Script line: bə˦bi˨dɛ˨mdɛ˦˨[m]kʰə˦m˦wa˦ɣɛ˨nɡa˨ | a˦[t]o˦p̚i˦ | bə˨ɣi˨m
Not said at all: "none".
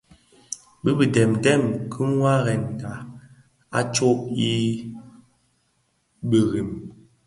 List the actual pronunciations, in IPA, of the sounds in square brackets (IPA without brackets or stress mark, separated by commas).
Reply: m, t͡ʃ